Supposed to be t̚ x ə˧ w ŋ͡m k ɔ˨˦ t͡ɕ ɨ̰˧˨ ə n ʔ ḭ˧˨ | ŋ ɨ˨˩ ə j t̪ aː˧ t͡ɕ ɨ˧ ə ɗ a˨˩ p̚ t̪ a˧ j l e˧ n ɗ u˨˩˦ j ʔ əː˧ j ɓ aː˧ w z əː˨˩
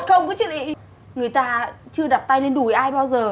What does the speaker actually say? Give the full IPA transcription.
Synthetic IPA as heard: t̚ x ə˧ w ŋ͡m k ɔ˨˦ t͡ɕ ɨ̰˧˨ ə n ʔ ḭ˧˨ | ŋ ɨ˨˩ ə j t̪ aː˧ t͡ɕ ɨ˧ ə ɗ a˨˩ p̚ t̪ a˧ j l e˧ n ɗ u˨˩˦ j ʔ aː˧ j ɓ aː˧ w z əː˨˩